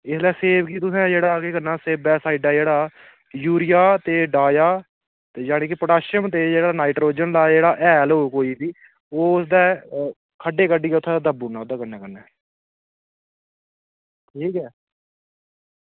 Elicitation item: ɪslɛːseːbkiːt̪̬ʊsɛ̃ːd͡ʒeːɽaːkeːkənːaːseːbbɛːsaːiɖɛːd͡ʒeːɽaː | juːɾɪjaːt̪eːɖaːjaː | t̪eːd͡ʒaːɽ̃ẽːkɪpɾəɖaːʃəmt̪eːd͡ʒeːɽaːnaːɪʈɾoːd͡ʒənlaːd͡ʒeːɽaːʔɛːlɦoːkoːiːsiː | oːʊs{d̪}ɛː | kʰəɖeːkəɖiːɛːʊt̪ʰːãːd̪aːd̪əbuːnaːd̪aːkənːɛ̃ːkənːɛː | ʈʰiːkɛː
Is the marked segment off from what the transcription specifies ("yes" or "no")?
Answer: no